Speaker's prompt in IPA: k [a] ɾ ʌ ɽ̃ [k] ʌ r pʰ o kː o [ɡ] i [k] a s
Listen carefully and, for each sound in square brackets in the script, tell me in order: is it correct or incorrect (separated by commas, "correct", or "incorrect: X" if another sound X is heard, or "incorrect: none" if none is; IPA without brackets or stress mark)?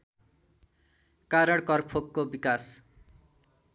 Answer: correct, correct, incorrect: b, correct